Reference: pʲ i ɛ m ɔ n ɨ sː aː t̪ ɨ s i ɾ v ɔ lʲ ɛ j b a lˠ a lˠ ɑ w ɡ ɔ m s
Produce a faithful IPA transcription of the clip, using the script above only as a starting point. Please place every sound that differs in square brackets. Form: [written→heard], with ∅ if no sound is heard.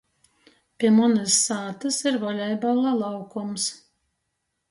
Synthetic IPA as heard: pʲ i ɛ m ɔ n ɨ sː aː t̪ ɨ s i ɾ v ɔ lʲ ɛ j b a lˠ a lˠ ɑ w [ɡ→k] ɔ m s